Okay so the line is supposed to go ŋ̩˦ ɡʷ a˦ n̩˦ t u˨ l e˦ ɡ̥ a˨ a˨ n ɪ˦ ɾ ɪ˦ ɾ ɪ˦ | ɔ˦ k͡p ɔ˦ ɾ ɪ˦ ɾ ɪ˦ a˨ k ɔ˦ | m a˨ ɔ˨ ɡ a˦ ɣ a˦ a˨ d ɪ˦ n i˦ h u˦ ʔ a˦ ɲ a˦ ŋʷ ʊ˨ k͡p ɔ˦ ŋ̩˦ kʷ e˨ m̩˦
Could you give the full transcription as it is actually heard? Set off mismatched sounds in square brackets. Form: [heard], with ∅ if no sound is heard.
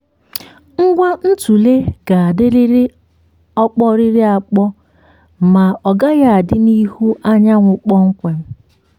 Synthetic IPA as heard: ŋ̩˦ ɡʷ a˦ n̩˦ t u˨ l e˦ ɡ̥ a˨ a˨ [d] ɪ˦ ɾ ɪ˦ ɾ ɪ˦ | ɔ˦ k͡p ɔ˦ ɾ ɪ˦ ɾ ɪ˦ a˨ [k͡p] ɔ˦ | m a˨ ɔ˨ ɡ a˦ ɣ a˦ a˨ d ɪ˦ n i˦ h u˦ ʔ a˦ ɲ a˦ ŋʷ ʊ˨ k͡p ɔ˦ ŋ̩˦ kʷ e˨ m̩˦